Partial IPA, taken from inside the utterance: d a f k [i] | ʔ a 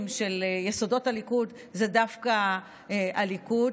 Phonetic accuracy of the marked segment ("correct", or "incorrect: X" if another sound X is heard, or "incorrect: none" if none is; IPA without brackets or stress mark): incorrect: a